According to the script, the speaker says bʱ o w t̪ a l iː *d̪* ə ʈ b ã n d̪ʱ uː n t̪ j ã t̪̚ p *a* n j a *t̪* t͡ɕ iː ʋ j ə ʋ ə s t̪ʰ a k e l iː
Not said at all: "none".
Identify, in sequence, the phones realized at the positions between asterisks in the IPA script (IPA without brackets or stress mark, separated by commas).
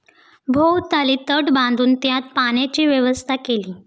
t̪, a, none